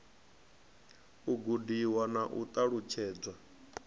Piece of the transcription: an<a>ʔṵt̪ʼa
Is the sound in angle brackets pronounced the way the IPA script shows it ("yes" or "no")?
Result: yes